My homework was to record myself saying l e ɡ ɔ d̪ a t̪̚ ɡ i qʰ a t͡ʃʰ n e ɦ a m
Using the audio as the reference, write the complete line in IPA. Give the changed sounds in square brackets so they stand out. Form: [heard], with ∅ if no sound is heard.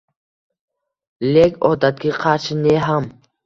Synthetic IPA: l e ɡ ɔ d̪ a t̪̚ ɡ i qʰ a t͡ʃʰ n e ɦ a m